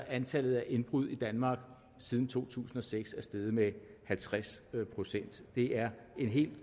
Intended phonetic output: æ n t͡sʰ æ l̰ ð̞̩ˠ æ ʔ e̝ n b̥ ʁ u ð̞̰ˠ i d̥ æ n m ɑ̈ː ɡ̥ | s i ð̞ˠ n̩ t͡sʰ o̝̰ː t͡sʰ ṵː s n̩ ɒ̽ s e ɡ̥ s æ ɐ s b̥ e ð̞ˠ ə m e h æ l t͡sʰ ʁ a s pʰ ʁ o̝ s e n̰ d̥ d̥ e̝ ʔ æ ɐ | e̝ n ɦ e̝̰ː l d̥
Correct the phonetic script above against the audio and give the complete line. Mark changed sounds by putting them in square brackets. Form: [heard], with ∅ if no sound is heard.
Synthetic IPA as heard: æ n t͡sʰ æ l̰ ð̞̩ˠ æ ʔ e̝ n b̥ ʁ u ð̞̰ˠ i d̥ æ n m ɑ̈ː ɡ̥ | s i ð̞ˠ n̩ t͡sʰ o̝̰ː t͡sʰ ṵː s n̩ ɒ̽ s e ɡ̥ s æ ɐ s [d̥] e ð̞ˠ ə m e h æ l t͡sʰ ʁ a s pʰ ʁ o̝ s e n̰ d̥ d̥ e̝ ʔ æ ɐ | e̝ n ɦ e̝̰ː l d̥